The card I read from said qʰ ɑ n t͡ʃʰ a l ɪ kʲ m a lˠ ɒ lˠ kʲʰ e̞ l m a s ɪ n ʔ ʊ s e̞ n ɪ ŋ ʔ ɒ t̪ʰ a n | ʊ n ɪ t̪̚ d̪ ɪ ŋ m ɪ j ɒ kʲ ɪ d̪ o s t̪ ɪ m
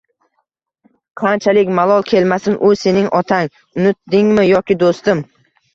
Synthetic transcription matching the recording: qʰ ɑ n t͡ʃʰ a l ɪ kʲ m a lˠ ɒ lˠ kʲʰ e̞ l m a s ɪ n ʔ ʊ s e̞ n ɪ ŋ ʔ ɒ t̪ʰ a ŋ | ʊ n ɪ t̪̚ d̪ ɪ ŋ m ɪ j ɒ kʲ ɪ d̪ o s t̪ ɪ m